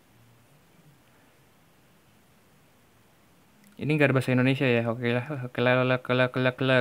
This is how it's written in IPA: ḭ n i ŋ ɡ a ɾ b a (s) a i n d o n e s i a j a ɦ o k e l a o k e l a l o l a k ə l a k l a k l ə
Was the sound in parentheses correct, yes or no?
yes